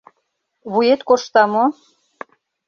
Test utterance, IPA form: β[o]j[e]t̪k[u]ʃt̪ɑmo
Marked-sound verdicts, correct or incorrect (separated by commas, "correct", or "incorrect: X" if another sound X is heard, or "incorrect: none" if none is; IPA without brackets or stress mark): incorrect: u, correct, incorrect: o